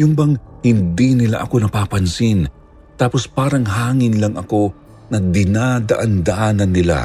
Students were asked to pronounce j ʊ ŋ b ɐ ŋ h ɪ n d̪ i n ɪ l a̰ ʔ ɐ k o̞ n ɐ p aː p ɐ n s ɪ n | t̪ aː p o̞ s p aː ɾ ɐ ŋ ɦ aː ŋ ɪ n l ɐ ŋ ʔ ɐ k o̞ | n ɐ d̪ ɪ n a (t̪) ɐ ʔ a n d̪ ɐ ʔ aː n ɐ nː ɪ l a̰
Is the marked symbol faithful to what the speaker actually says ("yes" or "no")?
no